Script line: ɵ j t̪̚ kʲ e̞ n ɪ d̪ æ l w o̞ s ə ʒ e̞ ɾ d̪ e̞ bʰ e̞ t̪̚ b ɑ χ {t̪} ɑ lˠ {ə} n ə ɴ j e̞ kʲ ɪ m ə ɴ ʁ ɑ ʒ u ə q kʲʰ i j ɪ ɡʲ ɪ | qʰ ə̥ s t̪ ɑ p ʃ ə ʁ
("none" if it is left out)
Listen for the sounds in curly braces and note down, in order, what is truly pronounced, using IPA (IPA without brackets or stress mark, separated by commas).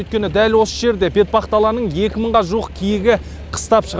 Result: t̪, ɑ